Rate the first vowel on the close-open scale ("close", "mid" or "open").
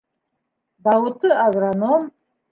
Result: open